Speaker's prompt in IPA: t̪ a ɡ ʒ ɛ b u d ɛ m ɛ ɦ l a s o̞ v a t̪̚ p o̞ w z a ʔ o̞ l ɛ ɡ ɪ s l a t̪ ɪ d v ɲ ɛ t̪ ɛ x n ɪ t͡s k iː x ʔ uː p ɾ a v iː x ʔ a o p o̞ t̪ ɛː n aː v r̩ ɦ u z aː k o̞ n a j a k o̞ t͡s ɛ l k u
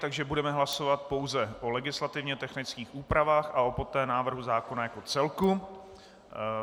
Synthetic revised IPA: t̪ a ɡ ʒ ɛ b u d ɛ m ɛ ɦ l a s o̞ v a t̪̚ p o̞ w z ɛ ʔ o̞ l ɛ ɡ ɪ s l a t̪ ɪ v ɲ ɛ t̪ ɛ x n ɪ t͡s k iː x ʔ uː p ɾ a v aː x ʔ a o p o̞ t̪ ɛː n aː v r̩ ɦ u z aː k o̞ n a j a k o̞ t͡s ɛ l k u